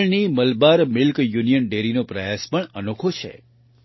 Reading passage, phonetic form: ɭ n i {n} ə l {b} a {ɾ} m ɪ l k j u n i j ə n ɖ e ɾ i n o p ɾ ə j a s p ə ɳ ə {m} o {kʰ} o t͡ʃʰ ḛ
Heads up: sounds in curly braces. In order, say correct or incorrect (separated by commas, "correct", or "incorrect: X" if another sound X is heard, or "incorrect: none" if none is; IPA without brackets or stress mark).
incorrect: m, correct, correct, incorrect: n, correct